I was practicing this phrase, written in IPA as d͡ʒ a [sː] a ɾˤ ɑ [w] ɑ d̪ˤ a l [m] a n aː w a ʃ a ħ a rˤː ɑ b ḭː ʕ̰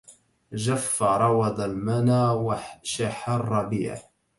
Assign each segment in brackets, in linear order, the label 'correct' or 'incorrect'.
incorrect, correct, correct

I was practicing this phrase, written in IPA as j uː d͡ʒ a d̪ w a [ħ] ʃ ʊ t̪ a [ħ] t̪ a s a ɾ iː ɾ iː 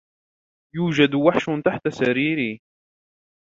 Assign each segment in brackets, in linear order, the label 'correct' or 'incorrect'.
correct, correct

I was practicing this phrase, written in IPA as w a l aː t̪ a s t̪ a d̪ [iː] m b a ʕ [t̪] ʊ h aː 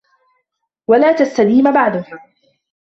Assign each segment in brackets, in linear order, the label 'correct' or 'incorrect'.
correct, incorrect

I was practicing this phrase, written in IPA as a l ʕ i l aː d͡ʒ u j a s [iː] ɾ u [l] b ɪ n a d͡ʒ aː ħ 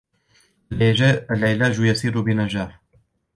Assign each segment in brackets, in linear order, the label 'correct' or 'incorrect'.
correct, incorrect

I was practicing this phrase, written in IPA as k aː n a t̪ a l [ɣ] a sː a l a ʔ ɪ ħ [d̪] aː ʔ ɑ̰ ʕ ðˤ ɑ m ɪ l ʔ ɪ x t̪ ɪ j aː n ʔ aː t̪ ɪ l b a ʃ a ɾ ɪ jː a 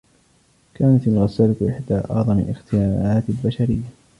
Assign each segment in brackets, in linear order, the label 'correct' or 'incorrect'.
correct, correct

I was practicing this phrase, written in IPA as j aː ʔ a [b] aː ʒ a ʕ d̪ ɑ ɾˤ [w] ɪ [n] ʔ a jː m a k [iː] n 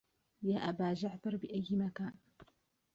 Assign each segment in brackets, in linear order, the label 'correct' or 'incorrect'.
correct, incorrect, incorrect, incorrect

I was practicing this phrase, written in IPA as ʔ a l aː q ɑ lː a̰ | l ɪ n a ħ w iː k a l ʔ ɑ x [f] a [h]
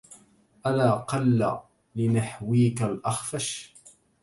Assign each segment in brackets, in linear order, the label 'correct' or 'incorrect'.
correct, incorrect

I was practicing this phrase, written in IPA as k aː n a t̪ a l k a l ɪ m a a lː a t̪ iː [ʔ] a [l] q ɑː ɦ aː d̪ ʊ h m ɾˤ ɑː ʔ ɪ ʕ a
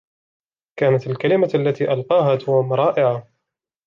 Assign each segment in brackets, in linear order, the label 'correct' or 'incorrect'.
correct, correct

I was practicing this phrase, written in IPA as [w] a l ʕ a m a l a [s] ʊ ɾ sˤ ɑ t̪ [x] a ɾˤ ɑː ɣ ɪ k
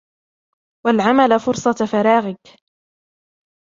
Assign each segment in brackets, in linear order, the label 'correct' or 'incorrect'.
correct, incorrect, incorrect

